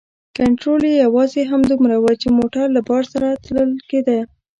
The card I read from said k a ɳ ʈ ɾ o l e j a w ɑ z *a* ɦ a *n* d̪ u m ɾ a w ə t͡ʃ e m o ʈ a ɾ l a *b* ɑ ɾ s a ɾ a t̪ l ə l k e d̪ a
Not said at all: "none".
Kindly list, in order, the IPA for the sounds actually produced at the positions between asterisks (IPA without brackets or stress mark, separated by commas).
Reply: e, m, b